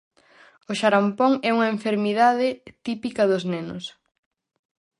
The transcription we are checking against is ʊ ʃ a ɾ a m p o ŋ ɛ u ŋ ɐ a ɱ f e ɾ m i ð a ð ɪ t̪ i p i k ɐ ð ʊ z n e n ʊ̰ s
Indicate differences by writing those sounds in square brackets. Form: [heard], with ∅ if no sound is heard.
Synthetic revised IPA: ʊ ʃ a ɾ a m p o ŋ ɛ u ŋ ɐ [e] ɱ f e ɾ m i ð a ð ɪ t̪ i p i k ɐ ð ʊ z n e n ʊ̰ s

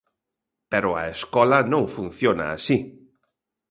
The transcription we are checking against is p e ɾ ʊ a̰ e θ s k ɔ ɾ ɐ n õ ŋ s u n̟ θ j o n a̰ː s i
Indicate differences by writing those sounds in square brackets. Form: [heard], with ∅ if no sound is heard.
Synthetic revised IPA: p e ɾ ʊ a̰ e [∅] s k ɔ [l] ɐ n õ ŋ [f] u n̟ θ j o n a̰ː s i

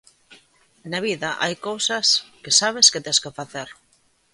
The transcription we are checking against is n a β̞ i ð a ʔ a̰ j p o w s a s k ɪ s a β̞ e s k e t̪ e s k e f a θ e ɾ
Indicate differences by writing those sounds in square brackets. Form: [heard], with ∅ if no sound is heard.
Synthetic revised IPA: n a β̞ i ð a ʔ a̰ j [k] o w s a s k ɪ s a β̞ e s k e t̪ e s k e f a θ e ɾ

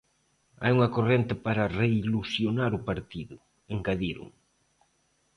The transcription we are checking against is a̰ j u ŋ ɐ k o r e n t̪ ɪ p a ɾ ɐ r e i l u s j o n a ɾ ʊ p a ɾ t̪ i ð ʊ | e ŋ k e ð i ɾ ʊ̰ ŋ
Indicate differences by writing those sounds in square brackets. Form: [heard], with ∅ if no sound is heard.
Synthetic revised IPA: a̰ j u ŋ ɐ k o r e n t̪ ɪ p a ɾ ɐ r e i l u s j o n a ɾ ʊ p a ɾ t̪ i ð ʊ | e ŋ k [a] ð i ɾ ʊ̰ ŋ

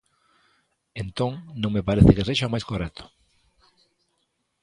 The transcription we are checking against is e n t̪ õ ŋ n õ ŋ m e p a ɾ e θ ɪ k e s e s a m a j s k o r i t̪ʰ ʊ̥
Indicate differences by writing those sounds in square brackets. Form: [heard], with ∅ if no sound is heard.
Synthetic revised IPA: e n t̪ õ ŋ n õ ŋ m e p a ɾ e θ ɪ k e s e [ʃ] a m a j s k o r [ɛ] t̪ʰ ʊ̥

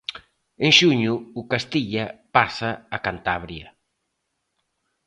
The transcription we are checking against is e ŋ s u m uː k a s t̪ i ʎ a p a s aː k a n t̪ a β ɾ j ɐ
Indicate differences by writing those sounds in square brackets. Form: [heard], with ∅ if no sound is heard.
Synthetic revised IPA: e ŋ [ʃ] u [ɲ] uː k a s t̪ i ʎ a p a s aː k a n t̪ a β ɾ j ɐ

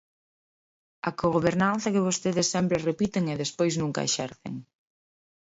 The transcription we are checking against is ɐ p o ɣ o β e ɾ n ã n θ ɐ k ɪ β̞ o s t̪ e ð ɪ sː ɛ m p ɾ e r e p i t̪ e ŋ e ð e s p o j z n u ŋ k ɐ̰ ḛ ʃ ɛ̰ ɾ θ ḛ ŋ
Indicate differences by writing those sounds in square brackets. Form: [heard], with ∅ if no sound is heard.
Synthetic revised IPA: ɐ [k] o ɣ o β e ɾ n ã n θ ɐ k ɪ β̞ o s t̪ e ð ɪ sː ɛ m p ɾ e r e p i t̪ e ŋ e ð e s p o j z n u ŋ k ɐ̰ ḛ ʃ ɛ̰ ɾ θ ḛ ŋ

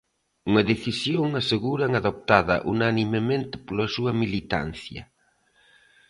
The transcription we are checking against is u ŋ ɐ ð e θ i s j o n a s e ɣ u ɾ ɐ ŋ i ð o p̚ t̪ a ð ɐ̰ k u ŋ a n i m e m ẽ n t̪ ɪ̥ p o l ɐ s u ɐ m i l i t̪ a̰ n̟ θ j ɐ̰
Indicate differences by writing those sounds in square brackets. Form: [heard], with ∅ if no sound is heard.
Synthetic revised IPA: u ŋ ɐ ð e θ i s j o [ŋ] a s e ɣ u ɾ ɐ ŋ [a] ð o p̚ t̪ a ð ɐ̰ [ʔ] u [n] a n i m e m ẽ n t̪ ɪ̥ p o l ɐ s u ɐ m i l i t̪ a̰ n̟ θ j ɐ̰

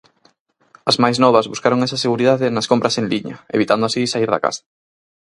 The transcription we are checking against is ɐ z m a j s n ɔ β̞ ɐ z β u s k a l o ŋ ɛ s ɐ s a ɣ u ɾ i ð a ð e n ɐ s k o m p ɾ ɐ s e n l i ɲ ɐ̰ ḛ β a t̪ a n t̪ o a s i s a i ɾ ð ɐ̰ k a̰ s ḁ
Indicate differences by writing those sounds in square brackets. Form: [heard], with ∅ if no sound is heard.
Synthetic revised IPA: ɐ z m a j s n ɔ β̞ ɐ z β u s k a [ɾ] o ŋ ɛ s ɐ s [e] ɣ u ɾ i ð a ð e n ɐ s k o m p ɾ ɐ s e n l i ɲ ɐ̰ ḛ β [i] t̪ a n [d̪] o a s i s a i ɾ ð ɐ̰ k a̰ s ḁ

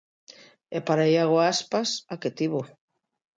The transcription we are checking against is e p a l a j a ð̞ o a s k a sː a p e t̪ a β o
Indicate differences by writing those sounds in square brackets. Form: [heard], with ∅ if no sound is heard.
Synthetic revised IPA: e p a [ɾ] a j a [ɣ̞] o a s [p] a [s] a [k] e t̪ [i] β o

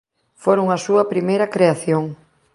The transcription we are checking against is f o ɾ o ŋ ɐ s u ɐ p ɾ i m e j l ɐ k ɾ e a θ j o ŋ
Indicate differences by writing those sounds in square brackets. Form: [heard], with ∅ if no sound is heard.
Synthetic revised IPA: f o ɾ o ŋ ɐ s u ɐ p ɾ i m e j [ɾ] ɐ k ɾ e a θ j o ŋ

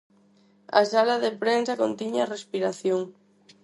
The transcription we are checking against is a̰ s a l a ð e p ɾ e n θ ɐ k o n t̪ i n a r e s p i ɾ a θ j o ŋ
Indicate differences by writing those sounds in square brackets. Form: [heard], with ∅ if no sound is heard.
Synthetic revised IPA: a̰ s a l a ð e p ɾ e n [s] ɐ k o n t̪ i [ɲ] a r e s p i ɾ a θ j o ŋ

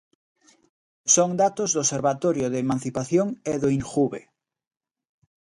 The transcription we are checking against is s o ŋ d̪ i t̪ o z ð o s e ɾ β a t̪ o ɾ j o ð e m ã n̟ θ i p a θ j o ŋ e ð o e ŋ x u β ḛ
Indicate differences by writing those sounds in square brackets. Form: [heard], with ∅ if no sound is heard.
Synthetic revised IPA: s o ŋ d̪ [a] t̪ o z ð o s e ɾ β a t̪ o ɾ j o ð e m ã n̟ θ i p a θ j o ŋ e ð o [i] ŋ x u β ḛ

